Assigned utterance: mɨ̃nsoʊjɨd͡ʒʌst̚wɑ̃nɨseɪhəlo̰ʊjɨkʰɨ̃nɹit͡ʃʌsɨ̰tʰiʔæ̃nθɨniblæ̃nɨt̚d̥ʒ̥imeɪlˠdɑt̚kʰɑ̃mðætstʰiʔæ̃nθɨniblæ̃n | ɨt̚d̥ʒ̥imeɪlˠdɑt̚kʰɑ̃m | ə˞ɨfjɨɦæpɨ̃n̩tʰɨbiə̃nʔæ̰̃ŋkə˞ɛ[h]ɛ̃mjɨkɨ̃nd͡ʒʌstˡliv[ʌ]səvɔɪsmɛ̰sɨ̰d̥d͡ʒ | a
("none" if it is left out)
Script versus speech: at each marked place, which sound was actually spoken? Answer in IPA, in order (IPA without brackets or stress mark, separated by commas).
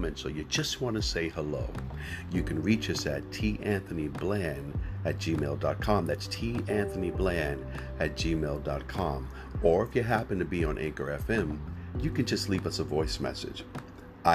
f, ʌ